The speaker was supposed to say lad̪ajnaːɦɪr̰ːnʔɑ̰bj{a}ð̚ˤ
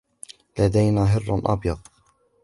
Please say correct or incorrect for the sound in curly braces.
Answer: incorrect